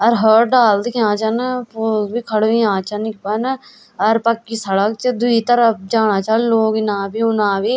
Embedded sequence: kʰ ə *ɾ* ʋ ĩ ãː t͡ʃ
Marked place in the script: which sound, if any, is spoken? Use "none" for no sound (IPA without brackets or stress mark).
ɽ